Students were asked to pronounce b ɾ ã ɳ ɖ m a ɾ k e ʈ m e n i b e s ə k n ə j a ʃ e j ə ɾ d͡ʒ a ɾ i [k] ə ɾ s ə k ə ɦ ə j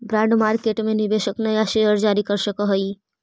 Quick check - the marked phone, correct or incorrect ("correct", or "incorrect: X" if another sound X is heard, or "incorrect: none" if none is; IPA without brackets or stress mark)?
correct